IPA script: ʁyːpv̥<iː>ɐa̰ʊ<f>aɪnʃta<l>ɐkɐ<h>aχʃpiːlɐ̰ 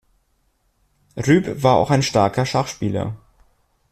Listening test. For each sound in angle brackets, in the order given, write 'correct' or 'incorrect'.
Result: incorrect: aː, incorrect: x, incorrect: none, incorrect: ʃ

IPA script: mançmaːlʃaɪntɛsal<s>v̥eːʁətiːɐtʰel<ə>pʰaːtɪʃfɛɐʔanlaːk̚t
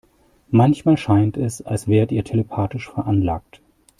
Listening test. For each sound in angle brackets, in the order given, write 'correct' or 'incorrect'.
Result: correct, correct

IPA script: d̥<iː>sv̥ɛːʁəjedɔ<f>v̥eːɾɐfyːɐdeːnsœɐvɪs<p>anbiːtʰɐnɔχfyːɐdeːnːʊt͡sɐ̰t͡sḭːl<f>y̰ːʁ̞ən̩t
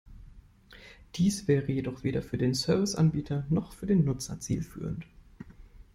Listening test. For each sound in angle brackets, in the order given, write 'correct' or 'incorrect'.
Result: correct, incorrect: χ, incorrect: ʔ, correct

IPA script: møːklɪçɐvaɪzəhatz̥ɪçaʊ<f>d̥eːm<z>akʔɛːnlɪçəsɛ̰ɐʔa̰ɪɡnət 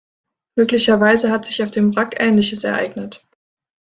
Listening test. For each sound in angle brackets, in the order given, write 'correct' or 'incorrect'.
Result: correct, incorrect: ʁ

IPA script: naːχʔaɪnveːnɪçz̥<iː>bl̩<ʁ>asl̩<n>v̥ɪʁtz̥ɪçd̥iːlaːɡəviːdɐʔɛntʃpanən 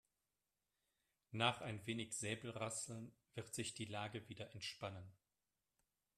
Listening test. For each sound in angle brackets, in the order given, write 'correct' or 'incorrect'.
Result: incorrect: ɛː, correct, correct

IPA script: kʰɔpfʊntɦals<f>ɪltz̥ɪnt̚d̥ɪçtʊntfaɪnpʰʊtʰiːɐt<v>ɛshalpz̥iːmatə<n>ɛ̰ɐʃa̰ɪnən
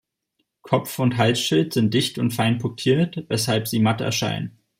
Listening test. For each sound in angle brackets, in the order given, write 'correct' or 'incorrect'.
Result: incorrect: ʃ, correct, incorrect: none

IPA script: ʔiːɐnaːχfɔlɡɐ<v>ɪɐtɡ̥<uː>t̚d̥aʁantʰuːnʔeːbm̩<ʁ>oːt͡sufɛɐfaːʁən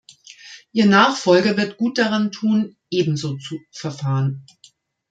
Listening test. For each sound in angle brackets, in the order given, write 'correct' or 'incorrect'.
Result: correct, correct, incorrect: z

